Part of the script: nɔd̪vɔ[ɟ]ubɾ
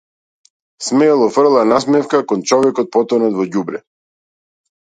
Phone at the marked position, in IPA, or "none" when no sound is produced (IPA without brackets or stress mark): ɟ